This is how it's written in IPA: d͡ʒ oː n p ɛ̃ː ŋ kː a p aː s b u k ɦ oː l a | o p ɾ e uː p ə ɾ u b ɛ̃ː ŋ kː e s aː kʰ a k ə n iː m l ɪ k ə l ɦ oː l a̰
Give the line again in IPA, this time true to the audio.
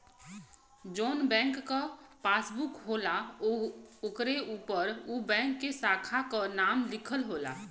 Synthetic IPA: d͡ʒ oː n b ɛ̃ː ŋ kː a p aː s b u k ɦ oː l a | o k ɾ e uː p ə ɾ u b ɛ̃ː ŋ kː e s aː kʰ a k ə n aː m l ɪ kʰ ə l ɦ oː l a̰